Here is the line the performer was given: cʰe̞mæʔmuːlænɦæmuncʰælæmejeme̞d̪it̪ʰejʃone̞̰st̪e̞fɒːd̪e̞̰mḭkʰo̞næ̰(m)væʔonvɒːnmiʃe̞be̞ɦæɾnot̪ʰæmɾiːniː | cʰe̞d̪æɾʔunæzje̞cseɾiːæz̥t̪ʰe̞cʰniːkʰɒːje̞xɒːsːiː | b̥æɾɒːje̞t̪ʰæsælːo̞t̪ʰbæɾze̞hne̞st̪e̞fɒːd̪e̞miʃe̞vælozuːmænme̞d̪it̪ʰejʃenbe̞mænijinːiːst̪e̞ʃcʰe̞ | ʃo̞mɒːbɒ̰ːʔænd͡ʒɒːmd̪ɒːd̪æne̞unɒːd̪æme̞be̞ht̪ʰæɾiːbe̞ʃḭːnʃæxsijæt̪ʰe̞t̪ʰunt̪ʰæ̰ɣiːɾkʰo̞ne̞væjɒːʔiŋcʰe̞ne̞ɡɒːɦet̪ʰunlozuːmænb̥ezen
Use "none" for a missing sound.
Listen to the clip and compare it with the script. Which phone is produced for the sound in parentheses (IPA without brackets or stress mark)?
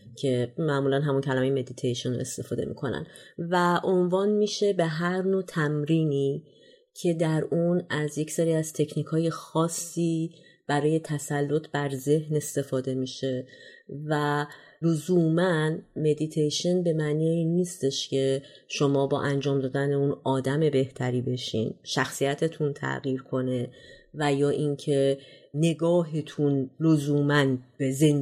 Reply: n